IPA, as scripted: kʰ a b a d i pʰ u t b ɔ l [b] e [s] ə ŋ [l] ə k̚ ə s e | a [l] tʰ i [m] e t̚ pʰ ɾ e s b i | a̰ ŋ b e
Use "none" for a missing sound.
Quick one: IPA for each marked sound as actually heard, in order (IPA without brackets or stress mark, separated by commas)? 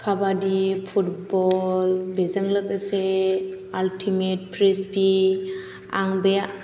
b, z, l, l, m